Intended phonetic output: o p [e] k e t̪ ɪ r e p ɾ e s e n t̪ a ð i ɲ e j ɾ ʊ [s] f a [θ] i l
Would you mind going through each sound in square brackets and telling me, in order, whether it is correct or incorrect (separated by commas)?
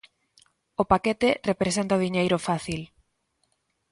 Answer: incorrect, incorrect, correct